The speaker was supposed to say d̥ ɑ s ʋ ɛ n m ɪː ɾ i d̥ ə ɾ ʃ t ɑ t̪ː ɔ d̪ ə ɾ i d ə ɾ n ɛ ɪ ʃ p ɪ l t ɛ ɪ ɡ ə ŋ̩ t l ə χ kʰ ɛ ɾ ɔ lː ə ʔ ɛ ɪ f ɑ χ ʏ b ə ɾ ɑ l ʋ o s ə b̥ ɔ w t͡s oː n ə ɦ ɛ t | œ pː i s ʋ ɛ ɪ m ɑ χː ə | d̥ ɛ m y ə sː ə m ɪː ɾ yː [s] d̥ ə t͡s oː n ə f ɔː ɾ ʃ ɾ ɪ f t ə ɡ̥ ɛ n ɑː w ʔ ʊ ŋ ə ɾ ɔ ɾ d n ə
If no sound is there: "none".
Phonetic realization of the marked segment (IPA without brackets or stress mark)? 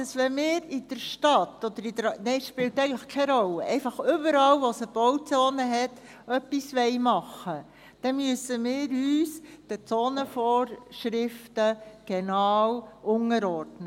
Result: s